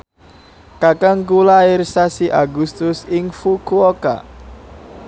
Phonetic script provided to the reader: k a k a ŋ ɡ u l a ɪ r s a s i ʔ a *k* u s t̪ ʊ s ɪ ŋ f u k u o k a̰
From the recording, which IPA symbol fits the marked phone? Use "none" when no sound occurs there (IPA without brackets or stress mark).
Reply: ɡ